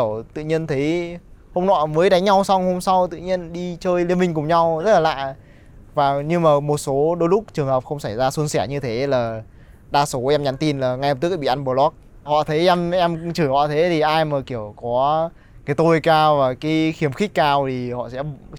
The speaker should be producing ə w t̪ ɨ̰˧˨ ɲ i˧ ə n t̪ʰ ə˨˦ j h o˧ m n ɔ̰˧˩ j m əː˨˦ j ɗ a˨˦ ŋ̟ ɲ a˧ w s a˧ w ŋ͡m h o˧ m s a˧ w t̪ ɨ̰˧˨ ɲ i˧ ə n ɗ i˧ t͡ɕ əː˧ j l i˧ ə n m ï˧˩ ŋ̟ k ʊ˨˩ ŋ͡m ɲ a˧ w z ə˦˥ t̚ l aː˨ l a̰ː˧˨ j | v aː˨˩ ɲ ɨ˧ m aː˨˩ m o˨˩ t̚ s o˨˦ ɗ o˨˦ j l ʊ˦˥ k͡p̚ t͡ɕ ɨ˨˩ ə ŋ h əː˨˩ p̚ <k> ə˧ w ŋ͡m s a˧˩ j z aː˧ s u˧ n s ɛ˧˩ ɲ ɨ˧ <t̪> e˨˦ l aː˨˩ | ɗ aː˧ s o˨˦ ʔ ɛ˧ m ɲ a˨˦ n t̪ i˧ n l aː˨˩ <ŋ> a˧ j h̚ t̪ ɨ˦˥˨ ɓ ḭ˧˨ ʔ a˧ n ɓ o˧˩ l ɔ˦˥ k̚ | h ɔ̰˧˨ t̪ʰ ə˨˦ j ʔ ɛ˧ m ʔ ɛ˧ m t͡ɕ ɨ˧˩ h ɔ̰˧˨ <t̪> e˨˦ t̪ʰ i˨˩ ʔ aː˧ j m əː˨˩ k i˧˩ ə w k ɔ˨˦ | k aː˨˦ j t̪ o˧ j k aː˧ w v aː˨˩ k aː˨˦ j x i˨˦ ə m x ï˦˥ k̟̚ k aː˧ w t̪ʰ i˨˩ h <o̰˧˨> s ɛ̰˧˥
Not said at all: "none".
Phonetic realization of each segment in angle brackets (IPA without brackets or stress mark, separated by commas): x, t̪ʰ, ŋ, t̪ʰ, ɔ̰˧˨